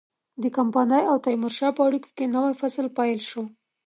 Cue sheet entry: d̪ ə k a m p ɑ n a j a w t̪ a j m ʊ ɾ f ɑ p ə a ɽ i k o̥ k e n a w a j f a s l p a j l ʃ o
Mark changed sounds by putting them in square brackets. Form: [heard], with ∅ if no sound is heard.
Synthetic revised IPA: d̪ ə k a m p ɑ n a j a w t̪ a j m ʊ ɾ [ʃ] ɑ p ə a ɽ i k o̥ k e n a w a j f a s l p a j l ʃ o